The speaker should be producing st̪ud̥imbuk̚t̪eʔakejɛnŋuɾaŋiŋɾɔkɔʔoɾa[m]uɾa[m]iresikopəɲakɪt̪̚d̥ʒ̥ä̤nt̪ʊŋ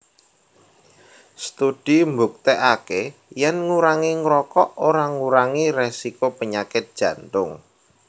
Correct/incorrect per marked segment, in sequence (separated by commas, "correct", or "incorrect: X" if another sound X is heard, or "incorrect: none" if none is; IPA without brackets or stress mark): incorrect: ŋ, incorrect: ŋ